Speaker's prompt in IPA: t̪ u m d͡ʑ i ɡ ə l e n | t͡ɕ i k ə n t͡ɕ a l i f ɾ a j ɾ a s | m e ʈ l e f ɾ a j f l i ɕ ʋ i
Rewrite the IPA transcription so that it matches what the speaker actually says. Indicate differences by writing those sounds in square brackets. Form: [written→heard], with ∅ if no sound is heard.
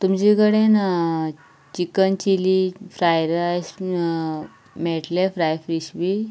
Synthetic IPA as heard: t̪ u m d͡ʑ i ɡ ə [l→ɽ] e n | t͡ɕ i k ə n t͡ɕ [a→i] l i f ɾ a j ɾ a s | m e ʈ l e f ɾ a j f [l→ɾ] i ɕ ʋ i